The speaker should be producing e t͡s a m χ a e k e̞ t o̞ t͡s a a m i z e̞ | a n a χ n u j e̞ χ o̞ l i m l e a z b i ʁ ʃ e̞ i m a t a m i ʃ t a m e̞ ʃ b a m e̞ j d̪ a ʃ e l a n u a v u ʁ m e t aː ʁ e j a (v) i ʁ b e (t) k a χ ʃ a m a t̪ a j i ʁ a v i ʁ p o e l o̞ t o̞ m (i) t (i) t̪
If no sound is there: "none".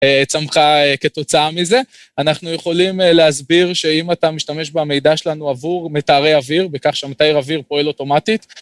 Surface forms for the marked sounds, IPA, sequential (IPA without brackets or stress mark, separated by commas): v, none, a, i